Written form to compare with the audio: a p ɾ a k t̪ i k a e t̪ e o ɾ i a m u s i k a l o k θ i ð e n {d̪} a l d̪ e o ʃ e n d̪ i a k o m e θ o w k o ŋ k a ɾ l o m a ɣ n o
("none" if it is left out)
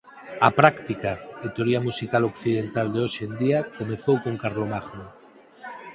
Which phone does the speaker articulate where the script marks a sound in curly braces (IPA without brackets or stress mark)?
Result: t̪